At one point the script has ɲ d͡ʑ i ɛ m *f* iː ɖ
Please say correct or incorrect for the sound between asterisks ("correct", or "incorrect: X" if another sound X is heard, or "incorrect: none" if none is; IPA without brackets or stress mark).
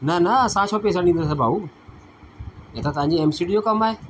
incorrect: s